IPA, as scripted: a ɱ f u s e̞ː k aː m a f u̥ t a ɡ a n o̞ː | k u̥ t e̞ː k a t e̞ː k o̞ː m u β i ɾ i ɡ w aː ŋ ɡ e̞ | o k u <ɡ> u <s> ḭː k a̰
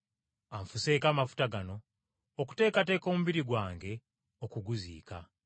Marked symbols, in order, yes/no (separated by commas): yes, no